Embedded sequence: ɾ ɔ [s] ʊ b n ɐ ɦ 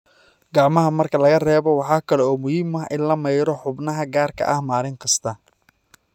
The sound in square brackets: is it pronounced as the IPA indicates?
no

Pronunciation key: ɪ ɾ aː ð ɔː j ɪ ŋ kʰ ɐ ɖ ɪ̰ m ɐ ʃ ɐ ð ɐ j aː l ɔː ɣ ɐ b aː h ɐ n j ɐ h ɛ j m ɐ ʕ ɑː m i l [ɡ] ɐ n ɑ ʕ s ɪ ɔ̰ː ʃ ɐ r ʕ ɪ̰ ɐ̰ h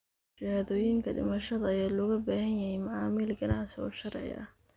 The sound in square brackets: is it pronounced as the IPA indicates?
yes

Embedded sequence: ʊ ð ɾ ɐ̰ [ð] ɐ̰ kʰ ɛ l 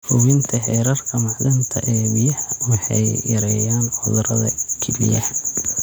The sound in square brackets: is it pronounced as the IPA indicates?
yes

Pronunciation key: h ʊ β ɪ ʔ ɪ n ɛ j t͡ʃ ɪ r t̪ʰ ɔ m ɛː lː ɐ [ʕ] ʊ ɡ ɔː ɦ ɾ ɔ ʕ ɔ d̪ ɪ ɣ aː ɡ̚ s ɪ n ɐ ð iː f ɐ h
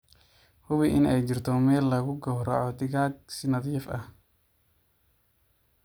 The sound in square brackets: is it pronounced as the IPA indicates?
no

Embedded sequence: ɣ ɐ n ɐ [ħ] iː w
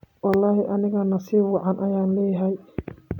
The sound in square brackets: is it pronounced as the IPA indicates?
no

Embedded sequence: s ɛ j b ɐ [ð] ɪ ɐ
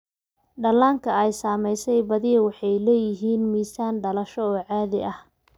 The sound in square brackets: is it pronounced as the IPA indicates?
yes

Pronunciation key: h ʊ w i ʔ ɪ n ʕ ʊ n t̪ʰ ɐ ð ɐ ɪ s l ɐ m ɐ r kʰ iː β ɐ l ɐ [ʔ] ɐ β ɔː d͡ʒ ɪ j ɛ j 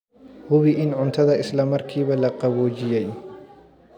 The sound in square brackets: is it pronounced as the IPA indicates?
no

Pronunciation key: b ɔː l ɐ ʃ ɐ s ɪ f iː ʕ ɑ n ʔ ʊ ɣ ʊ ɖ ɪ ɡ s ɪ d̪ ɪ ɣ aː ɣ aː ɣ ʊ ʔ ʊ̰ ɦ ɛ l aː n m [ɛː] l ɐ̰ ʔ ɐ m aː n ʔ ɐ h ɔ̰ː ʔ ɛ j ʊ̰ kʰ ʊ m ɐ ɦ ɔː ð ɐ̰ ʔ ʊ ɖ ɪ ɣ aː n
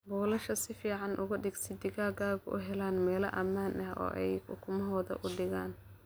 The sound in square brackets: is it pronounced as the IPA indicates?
yes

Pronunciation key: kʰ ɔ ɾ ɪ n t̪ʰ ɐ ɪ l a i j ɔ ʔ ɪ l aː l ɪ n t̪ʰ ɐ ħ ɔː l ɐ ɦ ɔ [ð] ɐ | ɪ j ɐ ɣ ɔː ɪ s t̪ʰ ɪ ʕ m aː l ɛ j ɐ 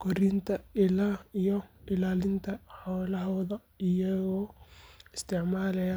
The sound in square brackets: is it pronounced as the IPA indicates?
yes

